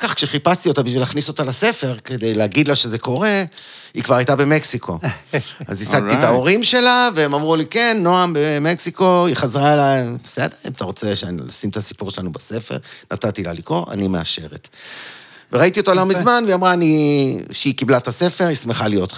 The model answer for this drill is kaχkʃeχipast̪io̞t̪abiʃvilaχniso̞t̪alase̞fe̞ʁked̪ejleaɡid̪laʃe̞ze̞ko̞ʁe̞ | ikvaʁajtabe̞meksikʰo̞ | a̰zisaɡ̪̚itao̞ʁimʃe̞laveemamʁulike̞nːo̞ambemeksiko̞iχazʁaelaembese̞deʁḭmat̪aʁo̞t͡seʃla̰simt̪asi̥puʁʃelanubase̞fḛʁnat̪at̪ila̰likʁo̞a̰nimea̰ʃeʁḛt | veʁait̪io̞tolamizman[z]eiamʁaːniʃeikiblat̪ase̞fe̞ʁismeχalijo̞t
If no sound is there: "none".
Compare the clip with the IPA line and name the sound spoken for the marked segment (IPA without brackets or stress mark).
v